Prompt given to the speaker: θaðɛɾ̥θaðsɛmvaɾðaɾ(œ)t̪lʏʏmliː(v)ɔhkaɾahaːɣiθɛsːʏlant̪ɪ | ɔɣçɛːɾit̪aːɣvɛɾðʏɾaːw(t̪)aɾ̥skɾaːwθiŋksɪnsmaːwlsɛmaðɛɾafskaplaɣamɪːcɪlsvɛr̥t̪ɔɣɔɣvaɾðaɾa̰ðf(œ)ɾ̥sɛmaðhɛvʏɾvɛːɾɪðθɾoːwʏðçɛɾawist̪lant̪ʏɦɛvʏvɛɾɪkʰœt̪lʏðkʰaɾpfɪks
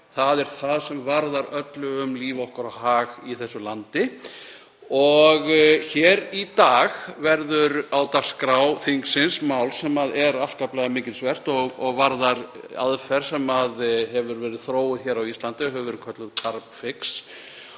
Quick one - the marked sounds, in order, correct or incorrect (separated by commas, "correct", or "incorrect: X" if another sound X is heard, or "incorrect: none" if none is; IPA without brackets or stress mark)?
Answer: correct, correct, correct, incorrect: ɛ